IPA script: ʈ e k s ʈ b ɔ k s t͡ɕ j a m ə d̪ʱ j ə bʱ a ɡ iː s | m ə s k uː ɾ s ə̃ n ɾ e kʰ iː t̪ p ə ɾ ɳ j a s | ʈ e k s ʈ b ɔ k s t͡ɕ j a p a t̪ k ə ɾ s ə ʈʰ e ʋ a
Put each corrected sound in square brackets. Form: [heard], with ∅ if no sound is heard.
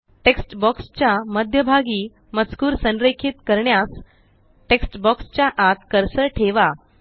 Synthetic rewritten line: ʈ e k s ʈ b ɔ k s t͡ɕ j a m ə d̪ʱ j ə bʱ a ɡ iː [∅] | m ə [t͡s] k uː ɾ s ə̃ n ɾ e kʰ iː t̪ [k] ə ɾ ɳ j a s | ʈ e k s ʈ b ɔ k s t͡ɕ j a [ʔ] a t̪ k ə ɾ s ə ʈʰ e ʋ a

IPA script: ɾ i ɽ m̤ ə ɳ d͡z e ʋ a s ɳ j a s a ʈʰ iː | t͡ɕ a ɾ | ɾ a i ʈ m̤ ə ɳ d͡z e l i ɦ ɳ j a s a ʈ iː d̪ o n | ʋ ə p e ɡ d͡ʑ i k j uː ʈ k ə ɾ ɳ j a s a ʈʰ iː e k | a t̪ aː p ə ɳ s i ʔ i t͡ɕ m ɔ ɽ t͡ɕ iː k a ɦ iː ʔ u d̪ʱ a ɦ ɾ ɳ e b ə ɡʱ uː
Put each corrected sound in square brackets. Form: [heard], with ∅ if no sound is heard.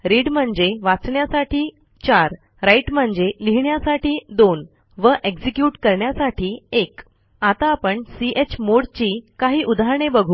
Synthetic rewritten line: ɾ i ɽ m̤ ə ɳ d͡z e ʋ a [t͡s] ɳ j a s a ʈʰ iː | t͡ɕ a ɾ | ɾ a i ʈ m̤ ə ɳ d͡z e l i ɦ ɳ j a s a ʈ iː d̪ o n | ʋ ə [ʔ] e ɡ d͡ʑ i k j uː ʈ k ə ɾ ɳ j a s a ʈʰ iː e k | a t̪ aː p ə ɳ s i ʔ [e] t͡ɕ m [o] ɽ t͡ɕ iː k a ɦ iː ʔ u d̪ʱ a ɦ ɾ ɳ e b ə ɡʱ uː

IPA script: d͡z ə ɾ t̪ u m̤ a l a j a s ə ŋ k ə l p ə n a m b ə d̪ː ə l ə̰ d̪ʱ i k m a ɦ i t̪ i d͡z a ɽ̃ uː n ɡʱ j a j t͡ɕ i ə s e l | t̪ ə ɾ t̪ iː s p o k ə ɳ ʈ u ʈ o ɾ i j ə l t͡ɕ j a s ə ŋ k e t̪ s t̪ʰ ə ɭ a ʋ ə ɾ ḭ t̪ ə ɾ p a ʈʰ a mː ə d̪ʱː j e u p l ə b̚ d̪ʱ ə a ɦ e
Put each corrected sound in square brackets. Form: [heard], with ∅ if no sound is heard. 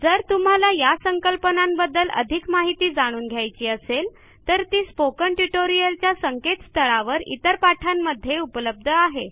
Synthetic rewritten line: d͡z ə ɾ t̪ u m̤ a l a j a s ə ŋ k ə l p ə n a m b ə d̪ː ə l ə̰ d̪ʱ i k m a ɦ i t̪ [iː] d͡z a ɽ̃ uː n ɡʱ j a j t͡ɕ [iː] ə s e l | t̪ ə ɾ t̪ iː s p o k ə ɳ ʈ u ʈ o ɾ i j ə l t͡ɕ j a s ə ŋ k e t̪ s t̪ʰ ə ɭ a ʋ ə ɾ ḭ t̪ ə ɾ p a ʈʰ a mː ə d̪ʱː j e u p l ə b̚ d̪ʱ ə a ɦ e

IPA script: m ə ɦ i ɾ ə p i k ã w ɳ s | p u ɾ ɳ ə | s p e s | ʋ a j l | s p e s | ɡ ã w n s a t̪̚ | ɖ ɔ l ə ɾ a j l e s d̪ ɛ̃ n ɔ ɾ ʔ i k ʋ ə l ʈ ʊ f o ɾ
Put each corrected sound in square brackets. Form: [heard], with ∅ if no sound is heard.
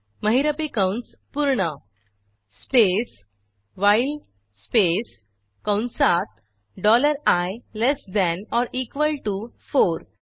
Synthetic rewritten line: m ə ɦ i ɾ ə p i k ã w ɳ s | p u ɾ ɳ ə | s p e s | ʋ a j l | s p e s | [k] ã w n s a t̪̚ | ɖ ɔ l ə ɾ a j l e s d̪ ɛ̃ n ɔ ɾ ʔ i k ʋ ə l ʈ [u] f o ɾ

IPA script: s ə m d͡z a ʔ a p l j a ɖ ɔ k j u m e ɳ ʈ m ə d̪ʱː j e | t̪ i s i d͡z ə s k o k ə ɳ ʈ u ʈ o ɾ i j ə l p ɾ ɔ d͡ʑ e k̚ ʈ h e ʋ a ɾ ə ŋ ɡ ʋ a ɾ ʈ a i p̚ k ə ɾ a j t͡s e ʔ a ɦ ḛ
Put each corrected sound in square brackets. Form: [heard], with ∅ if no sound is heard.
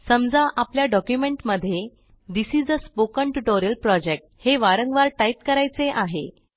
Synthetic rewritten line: s ə m d͡z a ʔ a p l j a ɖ ɔ k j u m e ɳ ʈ m ə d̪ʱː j e | [d̪] i s i d͡z ə s [p] o k ə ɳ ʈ u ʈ o ɾ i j ə l p ɾ ɔ d͡ʑ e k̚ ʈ h e ʋ a ɾ ə ŋ ɡ ʋ a ɾ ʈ a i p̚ k ə ɾ a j t͡s e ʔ a ɦ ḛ

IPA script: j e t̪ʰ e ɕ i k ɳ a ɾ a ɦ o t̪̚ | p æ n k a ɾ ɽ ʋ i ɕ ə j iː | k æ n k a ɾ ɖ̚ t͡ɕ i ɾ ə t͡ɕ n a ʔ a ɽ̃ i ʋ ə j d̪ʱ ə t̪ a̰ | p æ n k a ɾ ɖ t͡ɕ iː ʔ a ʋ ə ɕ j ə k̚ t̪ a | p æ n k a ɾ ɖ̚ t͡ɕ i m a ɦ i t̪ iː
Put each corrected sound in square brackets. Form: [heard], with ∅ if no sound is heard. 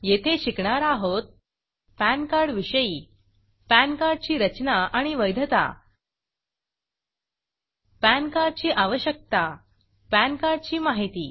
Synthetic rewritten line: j e t̪ʰ e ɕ i k ɳ a ɾ a ɦ o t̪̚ | p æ n k a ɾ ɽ ʋ i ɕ ə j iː | [p] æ n k a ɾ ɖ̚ t͡ɕ [iː] ɾ ə t͡ɕ n a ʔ a ɽ̃ i ʋ ə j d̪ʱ ə t̪ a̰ | p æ n k a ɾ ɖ t͡ɕ iː ʔ a ʋ ə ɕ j ə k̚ t̪ a | p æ n k a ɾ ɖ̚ t͡ɕ [iː] m a ɦ i t̪ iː

